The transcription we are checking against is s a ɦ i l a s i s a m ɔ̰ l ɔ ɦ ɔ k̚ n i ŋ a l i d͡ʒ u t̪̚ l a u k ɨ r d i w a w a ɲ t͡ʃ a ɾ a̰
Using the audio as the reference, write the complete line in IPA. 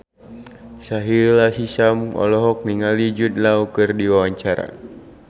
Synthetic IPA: s a ɦ i l a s i s a m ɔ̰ l ɔ ɦ ɔ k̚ n i ŋ a l i d͡ʒ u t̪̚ l a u k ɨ r d i w a w a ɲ t͡ʃ a ɾ a̰